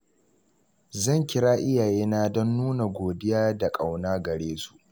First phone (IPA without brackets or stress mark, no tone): z